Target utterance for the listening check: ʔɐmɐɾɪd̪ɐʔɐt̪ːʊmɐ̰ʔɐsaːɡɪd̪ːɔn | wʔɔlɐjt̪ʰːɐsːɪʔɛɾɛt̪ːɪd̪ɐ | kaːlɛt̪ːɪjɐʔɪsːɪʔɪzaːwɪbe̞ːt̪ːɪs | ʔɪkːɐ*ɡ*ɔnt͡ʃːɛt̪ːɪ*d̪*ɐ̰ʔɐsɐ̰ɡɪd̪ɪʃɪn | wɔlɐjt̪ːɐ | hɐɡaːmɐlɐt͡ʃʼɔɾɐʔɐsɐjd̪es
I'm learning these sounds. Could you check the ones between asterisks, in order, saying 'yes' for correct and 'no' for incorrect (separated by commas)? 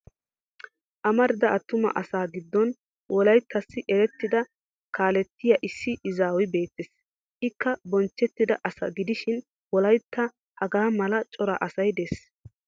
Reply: no, yes